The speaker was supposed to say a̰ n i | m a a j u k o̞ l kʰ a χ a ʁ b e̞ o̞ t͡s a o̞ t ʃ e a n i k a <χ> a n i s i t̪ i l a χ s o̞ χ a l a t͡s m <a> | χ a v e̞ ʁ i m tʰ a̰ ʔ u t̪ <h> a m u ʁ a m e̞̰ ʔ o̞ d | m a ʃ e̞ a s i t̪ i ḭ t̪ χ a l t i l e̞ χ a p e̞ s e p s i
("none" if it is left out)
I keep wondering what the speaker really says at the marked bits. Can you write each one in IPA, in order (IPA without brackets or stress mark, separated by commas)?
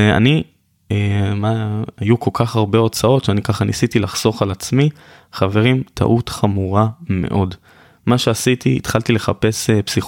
χ, i, χ